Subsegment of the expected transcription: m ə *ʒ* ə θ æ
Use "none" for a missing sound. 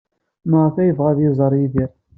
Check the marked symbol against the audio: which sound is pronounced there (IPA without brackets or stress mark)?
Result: ʁ